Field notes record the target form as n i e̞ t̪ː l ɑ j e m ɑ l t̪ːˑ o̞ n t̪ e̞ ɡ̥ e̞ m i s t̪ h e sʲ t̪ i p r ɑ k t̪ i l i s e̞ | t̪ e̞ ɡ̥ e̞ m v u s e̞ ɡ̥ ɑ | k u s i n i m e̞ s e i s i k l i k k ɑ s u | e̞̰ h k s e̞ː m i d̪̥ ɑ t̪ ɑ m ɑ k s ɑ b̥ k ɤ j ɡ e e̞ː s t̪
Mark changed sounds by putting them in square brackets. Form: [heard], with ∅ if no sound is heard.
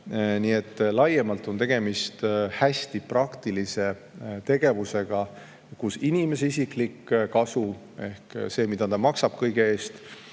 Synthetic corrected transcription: n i e̞ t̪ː l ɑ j e m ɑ l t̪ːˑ o̞ n t̪ e̞ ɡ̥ e̞ m i s t̪ h [æ] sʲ t̪ i p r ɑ k t̪ i l i s e̞ | t̪ e̞ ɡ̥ e̞ [∅] v u s e̞ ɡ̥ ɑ | k u s i n i m e̞ s e i s i k l i k k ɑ s u | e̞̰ h k s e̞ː m i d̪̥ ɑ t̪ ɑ m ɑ k s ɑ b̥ k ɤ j ɡ e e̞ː s t̪